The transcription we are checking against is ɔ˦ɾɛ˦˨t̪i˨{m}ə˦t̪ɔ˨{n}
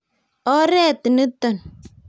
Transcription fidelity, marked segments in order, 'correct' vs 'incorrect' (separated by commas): incorrect, correct